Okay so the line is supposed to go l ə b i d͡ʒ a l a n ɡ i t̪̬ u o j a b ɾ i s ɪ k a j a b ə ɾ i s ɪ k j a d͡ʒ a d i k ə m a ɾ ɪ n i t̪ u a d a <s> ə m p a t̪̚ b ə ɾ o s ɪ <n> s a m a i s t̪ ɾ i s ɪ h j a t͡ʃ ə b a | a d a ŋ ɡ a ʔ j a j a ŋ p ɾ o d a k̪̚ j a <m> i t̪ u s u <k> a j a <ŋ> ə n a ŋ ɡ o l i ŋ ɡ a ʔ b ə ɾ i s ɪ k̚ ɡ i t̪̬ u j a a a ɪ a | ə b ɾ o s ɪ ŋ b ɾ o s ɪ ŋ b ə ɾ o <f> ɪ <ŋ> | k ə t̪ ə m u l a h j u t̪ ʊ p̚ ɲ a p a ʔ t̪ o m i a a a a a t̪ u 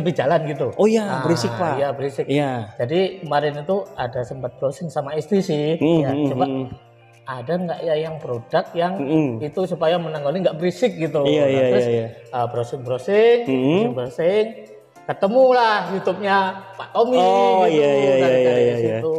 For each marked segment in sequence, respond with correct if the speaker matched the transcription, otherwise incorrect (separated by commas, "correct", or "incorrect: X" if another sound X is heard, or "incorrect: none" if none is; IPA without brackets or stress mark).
correct, incorrect: ŋ, incorrect: ŋ, incorrect: p, incorrect: m, incorrect: s, correct